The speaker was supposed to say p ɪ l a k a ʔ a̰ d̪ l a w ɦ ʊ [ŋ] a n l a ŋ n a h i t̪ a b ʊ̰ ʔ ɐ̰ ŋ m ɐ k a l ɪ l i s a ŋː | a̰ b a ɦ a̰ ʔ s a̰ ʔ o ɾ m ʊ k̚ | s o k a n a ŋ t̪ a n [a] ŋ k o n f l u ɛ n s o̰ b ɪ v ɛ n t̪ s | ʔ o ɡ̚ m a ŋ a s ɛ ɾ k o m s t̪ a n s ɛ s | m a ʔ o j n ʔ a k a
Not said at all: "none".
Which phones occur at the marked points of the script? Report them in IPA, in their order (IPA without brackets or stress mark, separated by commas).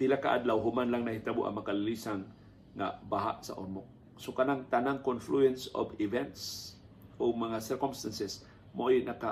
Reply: m, a